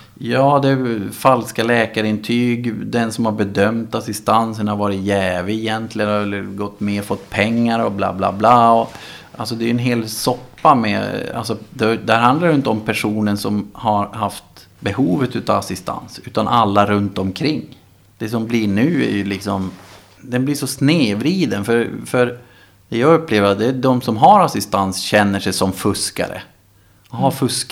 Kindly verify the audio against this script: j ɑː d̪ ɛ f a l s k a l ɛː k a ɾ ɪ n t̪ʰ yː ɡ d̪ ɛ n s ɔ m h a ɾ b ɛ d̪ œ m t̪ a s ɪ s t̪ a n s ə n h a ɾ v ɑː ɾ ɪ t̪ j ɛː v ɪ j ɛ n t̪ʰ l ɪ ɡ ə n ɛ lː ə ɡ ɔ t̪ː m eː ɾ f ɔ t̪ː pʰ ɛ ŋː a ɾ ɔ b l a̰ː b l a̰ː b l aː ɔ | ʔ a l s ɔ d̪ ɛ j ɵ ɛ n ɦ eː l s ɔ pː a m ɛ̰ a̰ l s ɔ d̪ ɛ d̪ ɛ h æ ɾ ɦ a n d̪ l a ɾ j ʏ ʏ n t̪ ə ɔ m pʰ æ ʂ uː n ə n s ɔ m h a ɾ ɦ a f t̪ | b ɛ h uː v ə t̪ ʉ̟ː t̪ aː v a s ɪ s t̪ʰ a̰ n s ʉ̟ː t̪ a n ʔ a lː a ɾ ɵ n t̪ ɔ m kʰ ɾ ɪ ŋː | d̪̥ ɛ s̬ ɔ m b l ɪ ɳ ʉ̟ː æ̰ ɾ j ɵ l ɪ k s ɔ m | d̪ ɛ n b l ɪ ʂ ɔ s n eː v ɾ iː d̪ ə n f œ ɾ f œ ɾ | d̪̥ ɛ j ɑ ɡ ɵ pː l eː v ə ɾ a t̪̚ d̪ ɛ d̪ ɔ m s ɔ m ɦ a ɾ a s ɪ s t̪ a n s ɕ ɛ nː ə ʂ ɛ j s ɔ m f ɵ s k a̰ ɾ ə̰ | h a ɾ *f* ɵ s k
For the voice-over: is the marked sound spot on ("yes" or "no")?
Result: yes